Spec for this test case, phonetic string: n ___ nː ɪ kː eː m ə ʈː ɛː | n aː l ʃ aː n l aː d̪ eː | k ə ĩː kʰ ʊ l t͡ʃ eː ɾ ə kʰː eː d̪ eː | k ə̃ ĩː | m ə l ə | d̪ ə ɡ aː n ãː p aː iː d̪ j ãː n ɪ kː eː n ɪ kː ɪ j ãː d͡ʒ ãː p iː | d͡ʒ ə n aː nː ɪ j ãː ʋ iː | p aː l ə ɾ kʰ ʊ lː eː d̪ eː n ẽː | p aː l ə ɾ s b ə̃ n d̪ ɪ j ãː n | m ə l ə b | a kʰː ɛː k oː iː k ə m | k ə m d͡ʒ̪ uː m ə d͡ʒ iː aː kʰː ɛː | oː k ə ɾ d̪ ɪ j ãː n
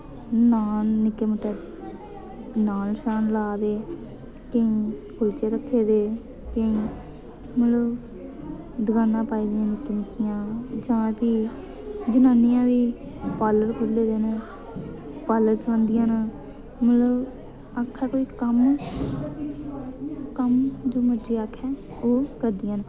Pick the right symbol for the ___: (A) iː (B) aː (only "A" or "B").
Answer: B